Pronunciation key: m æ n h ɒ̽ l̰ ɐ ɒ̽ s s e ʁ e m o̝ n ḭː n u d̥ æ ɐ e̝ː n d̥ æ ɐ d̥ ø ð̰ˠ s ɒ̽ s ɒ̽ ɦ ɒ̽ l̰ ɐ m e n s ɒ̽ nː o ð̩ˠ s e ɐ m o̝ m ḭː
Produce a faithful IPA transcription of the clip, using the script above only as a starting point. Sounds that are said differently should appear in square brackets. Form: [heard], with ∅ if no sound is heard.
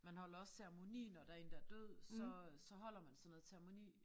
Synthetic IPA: m æ n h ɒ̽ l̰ ɐ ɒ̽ s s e ʁ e m o̝ n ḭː n [ɒ] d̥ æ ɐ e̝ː n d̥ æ ɐ d̥ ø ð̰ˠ s ɒ̽ s ɒ̽ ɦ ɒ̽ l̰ ɐ m [æ] n s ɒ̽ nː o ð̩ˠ s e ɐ m o̝ [n] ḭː